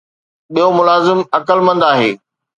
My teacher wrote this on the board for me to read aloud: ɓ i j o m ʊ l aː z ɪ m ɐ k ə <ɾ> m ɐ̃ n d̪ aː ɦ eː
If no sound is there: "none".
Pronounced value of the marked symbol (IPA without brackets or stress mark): l